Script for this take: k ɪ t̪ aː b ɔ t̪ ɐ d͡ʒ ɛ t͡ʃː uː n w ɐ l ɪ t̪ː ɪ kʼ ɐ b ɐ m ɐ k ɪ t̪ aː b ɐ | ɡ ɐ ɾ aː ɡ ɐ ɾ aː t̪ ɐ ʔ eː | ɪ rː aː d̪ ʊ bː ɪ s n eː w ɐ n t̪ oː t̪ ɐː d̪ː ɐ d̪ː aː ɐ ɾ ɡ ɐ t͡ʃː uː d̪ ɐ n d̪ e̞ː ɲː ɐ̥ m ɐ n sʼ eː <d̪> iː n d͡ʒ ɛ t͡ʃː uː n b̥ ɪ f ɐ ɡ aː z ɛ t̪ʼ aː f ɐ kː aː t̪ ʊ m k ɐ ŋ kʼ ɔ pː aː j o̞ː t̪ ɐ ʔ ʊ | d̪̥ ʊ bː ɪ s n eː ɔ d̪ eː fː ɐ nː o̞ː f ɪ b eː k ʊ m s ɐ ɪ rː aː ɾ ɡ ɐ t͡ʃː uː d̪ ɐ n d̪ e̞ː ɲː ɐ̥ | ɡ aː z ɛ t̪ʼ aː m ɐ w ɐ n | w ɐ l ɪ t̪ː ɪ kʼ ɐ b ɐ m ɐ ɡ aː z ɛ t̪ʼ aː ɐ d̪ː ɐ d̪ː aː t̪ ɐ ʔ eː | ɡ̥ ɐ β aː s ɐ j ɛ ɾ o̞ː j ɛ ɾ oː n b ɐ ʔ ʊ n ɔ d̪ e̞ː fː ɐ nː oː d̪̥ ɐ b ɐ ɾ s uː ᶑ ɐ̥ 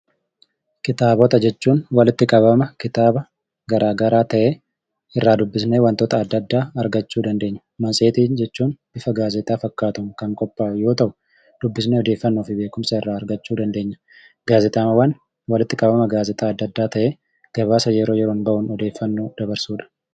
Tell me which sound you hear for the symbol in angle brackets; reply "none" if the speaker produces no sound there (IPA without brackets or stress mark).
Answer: t̪